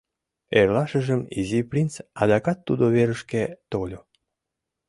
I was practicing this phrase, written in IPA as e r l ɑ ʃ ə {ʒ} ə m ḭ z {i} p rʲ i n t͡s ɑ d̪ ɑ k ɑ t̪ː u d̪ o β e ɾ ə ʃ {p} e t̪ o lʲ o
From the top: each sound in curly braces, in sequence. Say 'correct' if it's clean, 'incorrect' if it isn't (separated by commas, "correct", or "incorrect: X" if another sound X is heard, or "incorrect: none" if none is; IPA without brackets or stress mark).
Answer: correct, correct, incorrect: k